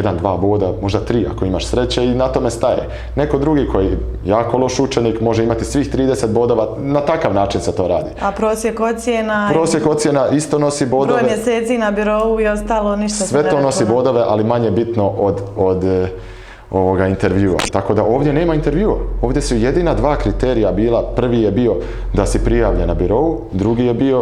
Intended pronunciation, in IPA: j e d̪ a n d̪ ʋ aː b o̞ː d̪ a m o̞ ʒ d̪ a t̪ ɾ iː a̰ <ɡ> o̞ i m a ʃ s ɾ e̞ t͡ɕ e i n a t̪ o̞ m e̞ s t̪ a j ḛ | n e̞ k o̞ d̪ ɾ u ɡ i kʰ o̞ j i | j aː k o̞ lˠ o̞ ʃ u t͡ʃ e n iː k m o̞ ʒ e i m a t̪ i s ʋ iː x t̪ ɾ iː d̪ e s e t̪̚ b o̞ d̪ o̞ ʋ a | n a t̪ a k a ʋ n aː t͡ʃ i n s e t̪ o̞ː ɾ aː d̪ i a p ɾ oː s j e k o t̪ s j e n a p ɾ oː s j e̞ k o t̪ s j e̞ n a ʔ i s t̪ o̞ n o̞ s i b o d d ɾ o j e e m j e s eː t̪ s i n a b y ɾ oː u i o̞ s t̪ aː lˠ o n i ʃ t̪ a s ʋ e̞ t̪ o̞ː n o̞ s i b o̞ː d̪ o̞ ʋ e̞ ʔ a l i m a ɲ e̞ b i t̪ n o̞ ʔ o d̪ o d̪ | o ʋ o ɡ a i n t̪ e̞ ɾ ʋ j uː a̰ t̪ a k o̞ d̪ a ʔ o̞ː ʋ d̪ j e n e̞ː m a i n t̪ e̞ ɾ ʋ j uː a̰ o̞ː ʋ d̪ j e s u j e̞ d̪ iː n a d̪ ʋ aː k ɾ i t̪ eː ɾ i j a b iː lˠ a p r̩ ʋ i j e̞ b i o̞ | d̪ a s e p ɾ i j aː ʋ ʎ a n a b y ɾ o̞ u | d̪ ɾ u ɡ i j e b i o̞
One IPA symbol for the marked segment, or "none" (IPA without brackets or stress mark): k